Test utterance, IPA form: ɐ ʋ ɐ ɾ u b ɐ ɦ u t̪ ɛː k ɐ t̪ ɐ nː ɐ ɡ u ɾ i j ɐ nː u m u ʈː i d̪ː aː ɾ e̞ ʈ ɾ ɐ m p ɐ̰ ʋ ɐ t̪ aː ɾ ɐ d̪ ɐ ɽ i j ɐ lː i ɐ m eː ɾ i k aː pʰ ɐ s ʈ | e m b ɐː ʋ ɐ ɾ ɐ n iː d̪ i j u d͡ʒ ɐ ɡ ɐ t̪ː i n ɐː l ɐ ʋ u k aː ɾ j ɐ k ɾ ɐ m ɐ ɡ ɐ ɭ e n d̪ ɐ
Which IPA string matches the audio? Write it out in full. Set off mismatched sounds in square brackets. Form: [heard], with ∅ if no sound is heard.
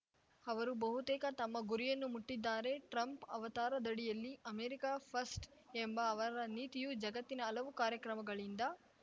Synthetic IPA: ɐ ʋ ɐ ɾ u b ɐ ɦ u t̪ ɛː k ɐ t̪ ɐ [mː] ɐ ɡ u ɾ i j ɐ nː u m u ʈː i d̪ː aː ɾ e̞ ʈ ɾ ɐ m p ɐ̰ ʋ ɐ t̪ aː ɾ ɐ d̪ ɐ ɽ i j ɐ lː i ɐ m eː ɾ i k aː pʰ ɐ s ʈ | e m b ɐː ʋ ɐ ɾ ɐ n iː [t̪] i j u d͡ʒ ɐ ɡ ɐ t̪ː i n ɐː l ɐ ʋ u k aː ɾ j ɐ k ɾ ɐ m ɐ ɡ ɐ ɭ [i] n d̪ ɐ